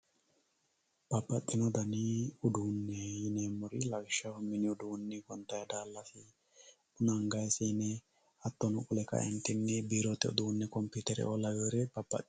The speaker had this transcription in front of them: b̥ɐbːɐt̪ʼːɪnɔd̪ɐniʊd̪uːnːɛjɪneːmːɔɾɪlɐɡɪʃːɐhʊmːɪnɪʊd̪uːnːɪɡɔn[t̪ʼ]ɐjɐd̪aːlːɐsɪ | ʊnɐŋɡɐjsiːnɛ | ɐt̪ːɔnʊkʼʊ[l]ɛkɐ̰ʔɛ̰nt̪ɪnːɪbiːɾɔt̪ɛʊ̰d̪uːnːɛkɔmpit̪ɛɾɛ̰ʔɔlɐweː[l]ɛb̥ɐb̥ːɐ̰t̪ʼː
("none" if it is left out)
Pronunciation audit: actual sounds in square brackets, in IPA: t̪, l, ɾ

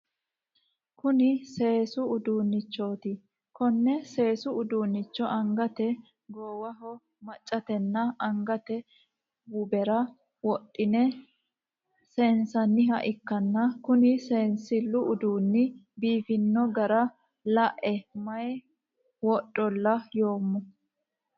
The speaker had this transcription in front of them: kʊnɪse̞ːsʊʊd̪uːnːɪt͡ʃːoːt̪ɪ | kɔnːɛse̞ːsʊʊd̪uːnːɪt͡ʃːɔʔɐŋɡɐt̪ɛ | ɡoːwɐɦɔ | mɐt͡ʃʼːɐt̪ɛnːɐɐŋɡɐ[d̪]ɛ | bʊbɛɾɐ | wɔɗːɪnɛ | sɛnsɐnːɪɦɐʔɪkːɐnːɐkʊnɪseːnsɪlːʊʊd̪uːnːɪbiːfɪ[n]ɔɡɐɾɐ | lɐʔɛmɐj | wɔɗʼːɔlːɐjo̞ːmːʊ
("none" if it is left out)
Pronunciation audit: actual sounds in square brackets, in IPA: t̪, nː

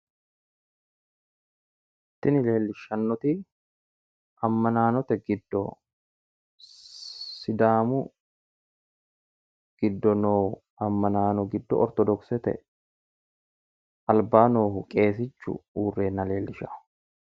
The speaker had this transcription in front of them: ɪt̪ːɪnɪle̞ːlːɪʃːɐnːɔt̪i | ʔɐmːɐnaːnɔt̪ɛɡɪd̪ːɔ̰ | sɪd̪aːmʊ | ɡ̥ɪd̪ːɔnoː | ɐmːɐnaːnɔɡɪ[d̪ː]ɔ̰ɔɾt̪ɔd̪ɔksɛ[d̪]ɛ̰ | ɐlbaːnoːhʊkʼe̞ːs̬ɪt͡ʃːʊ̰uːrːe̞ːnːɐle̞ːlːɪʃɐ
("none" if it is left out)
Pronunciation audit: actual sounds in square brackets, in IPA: d̪ː, t̪

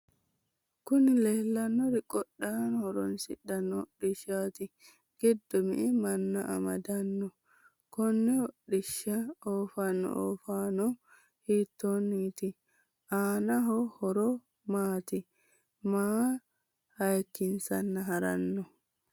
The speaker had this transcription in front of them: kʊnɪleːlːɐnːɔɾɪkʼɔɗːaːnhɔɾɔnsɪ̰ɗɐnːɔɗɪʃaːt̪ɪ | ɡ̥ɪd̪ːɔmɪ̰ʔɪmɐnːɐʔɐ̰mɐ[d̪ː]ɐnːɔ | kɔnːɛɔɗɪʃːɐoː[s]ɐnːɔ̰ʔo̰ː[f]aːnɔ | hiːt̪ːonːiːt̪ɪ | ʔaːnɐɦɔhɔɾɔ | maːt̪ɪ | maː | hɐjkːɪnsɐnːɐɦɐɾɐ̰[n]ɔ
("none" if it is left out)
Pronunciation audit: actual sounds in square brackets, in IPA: d̪, f, f, nː

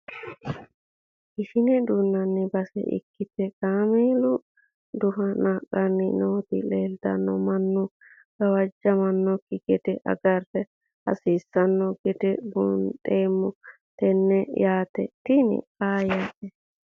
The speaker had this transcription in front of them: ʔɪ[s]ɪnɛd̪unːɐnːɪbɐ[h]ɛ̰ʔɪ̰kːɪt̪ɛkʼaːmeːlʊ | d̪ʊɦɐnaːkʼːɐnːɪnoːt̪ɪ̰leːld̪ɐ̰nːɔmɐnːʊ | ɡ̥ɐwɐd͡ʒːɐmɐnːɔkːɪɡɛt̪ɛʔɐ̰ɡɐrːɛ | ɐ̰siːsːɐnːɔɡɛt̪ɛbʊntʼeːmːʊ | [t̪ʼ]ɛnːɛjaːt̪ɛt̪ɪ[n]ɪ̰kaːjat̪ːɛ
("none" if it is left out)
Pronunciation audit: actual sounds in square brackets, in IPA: ʃ, s, t̪, n

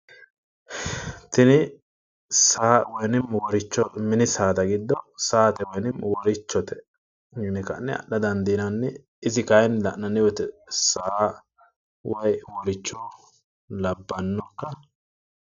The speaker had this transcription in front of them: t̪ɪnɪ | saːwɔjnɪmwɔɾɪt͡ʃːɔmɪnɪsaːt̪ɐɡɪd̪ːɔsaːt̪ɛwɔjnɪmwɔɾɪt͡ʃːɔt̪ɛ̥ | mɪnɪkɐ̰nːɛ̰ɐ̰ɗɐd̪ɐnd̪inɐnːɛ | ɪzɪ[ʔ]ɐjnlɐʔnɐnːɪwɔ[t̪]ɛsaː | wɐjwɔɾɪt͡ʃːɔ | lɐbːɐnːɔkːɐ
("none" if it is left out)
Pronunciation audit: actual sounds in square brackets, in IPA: k, t̪

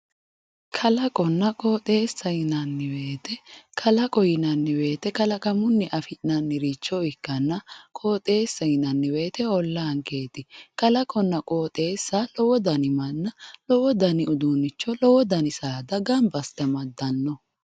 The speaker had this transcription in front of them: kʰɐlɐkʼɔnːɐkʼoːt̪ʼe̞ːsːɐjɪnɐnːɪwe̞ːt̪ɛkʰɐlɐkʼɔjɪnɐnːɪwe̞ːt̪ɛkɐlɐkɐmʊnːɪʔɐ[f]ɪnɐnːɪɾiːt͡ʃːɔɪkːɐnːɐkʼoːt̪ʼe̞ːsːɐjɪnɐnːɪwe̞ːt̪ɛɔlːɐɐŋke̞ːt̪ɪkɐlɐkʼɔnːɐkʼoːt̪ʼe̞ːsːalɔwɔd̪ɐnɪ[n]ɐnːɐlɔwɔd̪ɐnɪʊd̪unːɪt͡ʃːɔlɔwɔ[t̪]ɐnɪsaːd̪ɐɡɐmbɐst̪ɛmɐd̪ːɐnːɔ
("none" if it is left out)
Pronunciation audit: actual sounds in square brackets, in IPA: f, m, d̪

